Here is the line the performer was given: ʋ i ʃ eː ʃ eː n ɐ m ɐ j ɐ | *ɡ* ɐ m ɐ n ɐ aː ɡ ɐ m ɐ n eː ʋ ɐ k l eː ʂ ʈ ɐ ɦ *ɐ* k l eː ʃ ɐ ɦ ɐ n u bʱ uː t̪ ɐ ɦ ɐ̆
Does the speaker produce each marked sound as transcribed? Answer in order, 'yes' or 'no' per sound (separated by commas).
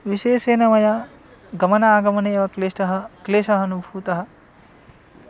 yes, yes